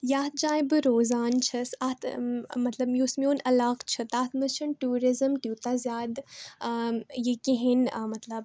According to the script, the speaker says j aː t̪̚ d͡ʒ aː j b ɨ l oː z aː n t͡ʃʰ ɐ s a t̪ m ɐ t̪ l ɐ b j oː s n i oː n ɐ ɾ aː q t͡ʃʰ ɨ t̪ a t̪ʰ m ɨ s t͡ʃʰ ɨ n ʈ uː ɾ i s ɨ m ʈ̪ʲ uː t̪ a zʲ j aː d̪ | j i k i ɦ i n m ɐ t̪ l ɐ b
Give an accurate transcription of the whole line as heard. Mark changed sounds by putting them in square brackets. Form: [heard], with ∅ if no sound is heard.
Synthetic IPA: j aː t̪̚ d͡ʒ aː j b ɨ [ɾ] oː z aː n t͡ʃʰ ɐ s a t̪ m ɐ t̪ l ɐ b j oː s [m] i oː n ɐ [l] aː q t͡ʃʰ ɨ t̪ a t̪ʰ m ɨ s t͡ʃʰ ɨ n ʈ uː ɾ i [z] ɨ m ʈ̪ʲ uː t̪ a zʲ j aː d̪ | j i k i ɦ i n m ɐ t̪ l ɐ b